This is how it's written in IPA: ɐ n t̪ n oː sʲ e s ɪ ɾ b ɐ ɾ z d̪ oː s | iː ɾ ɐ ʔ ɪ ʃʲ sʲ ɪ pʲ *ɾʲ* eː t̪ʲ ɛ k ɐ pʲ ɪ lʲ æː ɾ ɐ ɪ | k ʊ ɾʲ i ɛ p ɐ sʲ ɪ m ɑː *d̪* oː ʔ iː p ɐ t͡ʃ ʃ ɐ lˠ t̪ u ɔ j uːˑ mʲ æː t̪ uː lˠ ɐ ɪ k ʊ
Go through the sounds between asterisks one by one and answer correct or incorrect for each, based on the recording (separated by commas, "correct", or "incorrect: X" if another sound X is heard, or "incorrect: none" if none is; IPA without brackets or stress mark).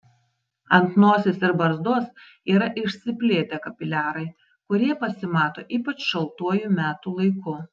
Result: incorrect: lʲ, incorrect: t̪